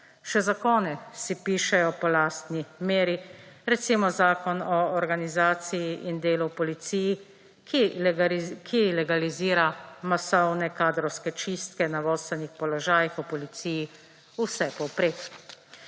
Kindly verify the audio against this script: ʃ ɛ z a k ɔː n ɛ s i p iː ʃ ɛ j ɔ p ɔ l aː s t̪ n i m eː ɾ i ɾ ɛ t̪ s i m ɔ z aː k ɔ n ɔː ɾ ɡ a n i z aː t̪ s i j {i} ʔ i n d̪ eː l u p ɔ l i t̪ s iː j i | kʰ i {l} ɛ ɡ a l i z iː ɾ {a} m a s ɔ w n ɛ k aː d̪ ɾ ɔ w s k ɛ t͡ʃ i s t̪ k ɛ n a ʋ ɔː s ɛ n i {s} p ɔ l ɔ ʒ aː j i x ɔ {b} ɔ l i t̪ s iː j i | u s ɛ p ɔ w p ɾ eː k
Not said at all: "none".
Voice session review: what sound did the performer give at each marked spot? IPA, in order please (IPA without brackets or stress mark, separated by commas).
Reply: i, l, a, x, p